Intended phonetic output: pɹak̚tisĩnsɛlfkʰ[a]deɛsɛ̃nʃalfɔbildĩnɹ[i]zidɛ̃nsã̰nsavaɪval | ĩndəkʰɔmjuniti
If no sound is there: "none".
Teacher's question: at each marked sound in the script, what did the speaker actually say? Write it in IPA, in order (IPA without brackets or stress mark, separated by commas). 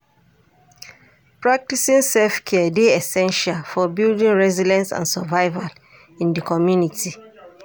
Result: ɛ, ɛ